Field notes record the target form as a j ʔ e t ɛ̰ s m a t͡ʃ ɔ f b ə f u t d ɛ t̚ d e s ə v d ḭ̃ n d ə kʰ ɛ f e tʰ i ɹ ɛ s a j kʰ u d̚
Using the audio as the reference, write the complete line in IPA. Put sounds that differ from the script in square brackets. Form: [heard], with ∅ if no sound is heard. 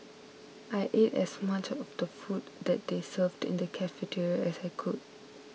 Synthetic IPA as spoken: a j ʔ e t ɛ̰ s m a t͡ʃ ɔ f [d] ə f u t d ɛ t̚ d e s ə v d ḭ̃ n d ə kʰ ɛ f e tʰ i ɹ ɛ s a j kʰ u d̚